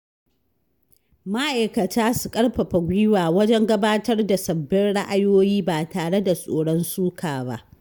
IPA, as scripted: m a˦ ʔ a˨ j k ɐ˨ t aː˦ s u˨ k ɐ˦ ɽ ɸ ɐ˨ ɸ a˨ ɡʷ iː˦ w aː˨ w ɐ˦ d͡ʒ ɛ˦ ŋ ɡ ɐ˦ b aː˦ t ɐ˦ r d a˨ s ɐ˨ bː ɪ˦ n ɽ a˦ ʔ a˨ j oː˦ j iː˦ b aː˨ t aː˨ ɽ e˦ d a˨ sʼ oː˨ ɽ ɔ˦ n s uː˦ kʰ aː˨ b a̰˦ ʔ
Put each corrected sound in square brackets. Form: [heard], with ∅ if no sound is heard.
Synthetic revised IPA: m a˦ ʔ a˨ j k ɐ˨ t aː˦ s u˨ [kʼ] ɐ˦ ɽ ɸ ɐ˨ ɸ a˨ ɡʷ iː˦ w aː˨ w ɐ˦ d͡ʒ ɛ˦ ŋ ɡ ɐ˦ b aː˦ t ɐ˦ r d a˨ s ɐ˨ bː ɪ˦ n ɽ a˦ ʔ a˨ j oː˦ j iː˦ b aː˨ t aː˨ ɽ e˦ d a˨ sʼ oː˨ ɽ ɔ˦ n s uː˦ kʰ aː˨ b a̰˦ ʔ